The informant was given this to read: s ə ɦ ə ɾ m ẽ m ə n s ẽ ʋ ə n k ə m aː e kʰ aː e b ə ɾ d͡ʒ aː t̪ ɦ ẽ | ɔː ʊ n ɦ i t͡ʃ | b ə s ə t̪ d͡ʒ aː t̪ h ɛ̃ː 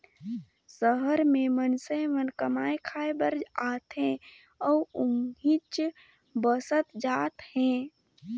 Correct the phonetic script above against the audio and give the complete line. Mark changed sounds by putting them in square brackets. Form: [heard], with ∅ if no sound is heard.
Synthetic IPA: s ə ɦ ə ɾ m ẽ m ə n s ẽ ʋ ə n k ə m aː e kʰ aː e b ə ɾ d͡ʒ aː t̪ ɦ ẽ | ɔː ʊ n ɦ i t͡ʃ | b ə s ə t̪ d͡ʒ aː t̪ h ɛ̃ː